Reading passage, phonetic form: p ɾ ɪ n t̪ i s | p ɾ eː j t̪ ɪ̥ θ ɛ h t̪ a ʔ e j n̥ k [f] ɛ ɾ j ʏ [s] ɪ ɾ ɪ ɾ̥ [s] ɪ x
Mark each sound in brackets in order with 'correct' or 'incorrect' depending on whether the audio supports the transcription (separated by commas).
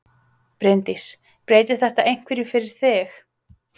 incorrect, incorrect, incorrect